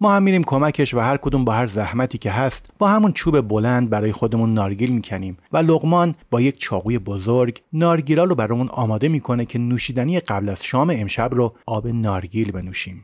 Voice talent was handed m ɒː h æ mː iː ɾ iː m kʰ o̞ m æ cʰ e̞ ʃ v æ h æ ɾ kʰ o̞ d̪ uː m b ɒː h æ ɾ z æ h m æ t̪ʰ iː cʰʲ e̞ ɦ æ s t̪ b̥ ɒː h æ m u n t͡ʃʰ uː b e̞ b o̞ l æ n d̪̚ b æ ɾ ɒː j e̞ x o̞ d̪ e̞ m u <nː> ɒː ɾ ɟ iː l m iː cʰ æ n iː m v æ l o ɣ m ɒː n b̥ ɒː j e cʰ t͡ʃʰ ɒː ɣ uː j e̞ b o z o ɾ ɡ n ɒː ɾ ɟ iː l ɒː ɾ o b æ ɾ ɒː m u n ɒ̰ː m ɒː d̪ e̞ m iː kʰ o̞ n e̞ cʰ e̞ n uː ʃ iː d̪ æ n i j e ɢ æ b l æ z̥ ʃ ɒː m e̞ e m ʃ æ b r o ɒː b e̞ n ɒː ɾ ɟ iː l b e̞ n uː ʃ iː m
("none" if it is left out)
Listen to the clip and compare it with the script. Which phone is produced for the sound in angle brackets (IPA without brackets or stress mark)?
nː